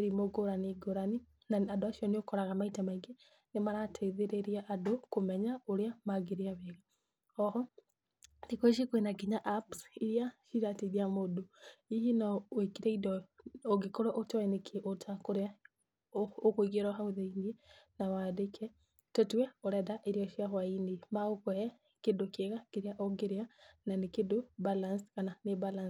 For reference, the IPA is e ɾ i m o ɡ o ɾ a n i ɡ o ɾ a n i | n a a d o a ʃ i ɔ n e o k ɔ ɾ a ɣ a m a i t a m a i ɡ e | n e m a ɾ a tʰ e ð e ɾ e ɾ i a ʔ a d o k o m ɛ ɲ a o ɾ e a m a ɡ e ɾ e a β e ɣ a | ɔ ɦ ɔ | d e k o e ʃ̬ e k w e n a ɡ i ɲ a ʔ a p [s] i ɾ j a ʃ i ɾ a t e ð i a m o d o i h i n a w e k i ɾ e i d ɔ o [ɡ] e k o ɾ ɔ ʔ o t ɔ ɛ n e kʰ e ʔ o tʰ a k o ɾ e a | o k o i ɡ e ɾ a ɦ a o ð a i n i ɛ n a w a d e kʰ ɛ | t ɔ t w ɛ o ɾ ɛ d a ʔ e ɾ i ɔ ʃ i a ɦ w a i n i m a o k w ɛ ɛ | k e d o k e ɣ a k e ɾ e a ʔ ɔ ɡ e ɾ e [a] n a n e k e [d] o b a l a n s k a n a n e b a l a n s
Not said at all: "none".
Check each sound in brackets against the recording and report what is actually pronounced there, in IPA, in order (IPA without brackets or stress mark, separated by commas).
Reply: s, ɡ, a, d